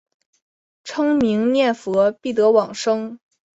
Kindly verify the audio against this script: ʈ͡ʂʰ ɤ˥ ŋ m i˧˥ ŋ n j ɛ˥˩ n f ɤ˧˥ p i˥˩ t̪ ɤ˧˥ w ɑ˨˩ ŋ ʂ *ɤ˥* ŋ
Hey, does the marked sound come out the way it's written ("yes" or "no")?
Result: yes